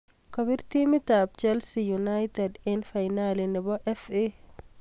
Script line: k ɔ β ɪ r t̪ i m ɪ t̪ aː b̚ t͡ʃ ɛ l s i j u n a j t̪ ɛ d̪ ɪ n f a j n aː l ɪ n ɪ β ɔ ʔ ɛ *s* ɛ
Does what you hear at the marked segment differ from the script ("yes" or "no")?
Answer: yes